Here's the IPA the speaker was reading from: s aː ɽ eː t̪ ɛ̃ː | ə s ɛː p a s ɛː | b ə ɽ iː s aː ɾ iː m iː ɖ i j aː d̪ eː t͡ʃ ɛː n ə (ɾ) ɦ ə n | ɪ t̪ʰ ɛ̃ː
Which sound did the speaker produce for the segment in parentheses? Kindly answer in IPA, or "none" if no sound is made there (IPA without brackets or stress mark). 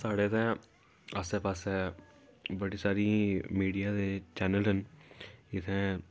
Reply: l